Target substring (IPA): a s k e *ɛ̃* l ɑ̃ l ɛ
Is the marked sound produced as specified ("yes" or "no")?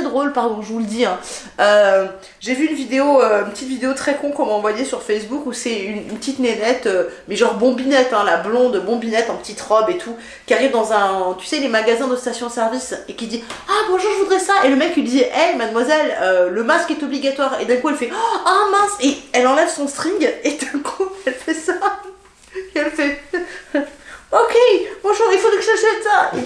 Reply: no